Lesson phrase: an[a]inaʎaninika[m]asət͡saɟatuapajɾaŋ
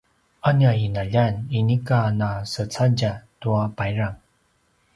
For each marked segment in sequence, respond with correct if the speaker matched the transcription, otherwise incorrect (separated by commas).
correct, incorrect